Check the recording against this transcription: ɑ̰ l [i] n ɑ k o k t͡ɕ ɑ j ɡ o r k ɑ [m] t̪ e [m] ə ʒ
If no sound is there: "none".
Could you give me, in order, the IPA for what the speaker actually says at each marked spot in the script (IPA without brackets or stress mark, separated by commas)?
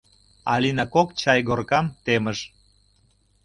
i, m, m